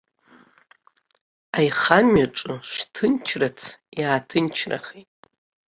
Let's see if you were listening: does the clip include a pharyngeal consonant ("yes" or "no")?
no